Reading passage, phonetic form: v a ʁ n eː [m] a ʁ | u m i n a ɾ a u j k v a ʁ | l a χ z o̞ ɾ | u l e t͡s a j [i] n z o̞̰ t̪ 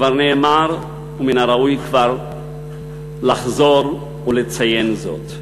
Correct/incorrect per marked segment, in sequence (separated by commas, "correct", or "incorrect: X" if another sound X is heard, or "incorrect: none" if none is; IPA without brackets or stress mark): correct, incorrect: e